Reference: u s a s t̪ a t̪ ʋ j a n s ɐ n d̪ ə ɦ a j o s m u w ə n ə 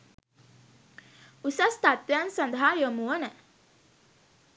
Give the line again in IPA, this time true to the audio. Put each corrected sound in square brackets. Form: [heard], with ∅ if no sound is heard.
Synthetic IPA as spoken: u s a s t̪ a t̪ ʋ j a n s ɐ n d̪ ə ɦ a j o [∅] m u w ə n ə